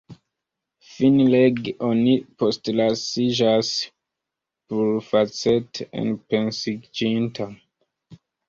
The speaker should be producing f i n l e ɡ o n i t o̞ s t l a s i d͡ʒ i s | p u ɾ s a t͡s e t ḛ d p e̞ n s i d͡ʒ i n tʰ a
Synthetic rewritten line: f i n l e ɡ o n i p o̞ s t l a s i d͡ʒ a s | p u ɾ f a t͡s e t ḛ n p e̞ n s i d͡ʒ i n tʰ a